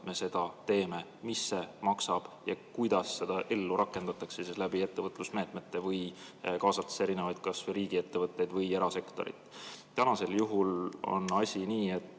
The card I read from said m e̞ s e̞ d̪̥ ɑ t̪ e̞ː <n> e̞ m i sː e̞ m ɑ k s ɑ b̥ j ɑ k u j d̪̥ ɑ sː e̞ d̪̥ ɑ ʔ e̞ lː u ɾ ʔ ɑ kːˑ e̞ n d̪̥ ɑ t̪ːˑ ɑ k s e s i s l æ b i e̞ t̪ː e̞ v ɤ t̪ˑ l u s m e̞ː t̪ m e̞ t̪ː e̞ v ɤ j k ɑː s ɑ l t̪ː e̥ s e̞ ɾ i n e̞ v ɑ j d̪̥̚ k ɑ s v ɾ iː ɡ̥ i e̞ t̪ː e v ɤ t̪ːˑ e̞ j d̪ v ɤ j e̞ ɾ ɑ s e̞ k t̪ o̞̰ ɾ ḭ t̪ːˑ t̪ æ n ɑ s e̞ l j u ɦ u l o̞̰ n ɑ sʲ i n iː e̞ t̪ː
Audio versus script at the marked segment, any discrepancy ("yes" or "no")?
yes